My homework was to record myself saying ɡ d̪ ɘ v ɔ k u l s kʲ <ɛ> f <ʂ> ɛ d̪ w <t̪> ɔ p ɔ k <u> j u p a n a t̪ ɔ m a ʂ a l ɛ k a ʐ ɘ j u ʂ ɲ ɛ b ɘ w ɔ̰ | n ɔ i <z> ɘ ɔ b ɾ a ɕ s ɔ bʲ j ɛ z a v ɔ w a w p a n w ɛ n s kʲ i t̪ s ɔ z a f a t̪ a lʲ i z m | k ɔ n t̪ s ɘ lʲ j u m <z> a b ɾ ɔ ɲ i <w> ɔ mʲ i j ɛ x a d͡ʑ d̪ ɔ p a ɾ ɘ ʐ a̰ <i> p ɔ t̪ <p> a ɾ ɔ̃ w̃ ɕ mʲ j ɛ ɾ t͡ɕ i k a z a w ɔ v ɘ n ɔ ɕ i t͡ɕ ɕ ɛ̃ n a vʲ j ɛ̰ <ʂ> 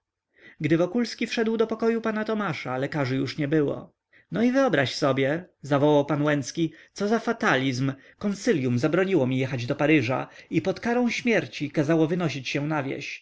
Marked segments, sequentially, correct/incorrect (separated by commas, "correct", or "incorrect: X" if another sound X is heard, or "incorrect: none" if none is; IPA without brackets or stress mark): incorrect: i, correct, incorrect: d̪, incorrect: ɔ, incorrect: v, correct, correct, correct, incorrect: k, incorrect: ɕ